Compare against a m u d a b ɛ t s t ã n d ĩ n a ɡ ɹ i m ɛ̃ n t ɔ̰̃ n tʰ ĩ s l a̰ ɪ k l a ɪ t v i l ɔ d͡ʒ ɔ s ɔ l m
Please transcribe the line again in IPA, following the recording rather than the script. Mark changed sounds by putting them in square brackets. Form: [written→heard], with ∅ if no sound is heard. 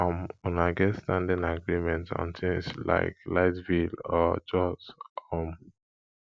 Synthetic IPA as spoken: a m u [d→n] a [b→ɡ] ɛ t s t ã n d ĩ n a ɡ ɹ i m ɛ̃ n t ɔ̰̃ n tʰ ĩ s l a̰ ɪ k l a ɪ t v i l ɔ d͡ʒ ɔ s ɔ [l→∅] m